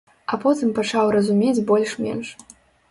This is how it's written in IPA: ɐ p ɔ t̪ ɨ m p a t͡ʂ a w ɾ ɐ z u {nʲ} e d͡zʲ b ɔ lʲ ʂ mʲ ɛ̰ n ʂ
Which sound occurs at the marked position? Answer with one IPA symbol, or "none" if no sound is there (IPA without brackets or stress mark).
mʲ